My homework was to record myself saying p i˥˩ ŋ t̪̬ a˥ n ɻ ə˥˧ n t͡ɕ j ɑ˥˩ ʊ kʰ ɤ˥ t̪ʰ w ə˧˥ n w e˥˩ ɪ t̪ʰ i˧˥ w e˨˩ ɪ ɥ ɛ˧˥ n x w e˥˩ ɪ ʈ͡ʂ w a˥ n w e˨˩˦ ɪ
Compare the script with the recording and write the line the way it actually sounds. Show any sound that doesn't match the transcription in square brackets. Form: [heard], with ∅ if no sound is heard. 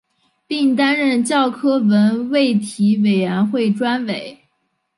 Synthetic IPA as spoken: p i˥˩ ŋ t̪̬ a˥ n ɻ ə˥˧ n t͡ɕ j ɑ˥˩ ʊ kʰ ɤ˥ [∅] w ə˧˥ n w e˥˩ ɪ t̪ʰ i˧˥ w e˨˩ ɪ ɥ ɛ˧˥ n x w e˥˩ ɪ ʈ͡ʂ w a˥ n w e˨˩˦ ɪ